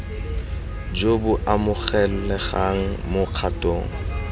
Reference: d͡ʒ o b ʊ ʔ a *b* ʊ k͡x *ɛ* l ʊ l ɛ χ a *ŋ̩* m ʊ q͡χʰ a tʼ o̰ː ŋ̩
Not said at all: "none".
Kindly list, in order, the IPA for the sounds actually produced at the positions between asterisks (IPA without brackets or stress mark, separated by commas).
m, ɛ, ŋ̩